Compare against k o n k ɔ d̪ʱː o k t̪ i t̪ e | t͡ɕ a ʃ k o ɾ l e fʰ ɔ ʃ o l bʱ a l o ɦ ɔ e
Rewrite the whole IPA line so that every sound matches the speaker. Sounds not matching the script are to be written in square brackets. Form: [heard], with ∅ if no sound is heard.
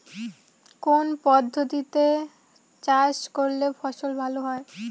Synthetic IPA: k o n [p] ɔ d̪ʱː o [∅] t̪ i t̪ e | t͡ɕ a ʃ k o ɾ l e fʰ ɔ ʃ o l bʱ a l o ɦ ɔ e